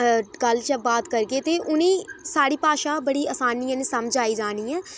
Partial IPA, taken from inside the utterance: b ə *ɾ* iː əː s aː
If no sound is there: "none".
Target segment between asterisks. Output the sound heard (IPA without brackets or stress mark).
ɽ